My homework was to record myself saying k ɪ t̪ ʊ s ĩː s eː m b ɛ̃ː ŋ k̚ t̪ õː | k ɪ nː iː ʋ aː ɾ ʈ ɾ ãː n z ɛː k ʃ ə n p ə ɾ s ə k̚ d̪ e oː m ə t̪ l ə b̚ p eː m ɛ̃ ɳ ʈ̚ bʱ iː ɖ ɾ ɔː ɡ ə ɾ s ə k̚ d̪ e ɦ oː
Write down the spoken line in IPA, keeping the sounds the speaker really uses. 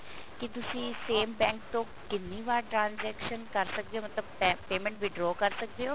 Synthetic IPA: k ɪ t̪ ʊ s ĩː s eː m b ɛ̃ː ŋ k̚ t̪ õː | k ɪ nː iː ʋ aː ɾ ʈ ɾ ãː n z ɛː k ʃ ə n k ə ɾ s ə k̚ d̪ e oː m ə t̪ l ə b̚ p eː m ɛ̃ ɳ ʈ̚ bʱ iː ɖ ɾ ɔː k ə ɾ s ə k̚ d̪ e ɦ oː